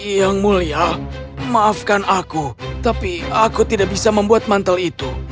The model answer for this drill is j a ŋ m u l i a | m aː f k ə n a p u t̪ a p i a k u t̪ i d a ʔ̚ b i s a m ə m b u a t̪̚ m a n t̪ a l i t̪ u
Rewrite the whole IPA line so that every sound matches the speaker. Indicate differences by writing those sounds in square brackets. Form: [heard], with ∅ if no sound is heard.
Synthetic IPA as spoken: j a ŋ m u l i a | m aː f k [a] n a [k] u t̪ a p i a k u t̪ i d a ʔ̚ b i s a m ə m b u a t̪̚ m a n t̪ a l i t̪ u